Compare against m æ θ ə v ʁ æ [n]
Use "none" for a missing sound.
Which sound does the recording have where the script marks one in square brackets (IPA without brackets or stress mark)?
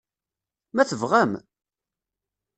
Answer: m